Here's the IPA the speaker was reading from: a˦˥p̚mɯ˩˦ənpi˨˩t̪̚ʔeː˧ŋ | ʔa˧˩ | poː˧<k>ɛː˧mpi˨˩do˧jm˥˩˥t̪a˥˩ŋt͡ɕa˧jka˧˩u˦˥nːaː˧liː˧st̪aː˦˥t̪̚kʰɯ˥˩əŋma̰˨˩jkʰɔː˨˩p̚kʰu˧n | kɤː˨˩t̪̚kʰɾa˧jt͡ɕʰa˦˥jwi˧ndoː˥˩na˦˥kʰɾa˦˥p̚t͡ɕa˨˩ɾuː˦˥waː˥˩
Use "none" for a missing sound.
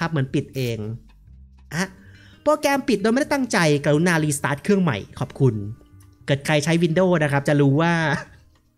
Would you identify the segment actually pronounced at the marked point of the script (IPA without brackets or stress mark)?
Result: k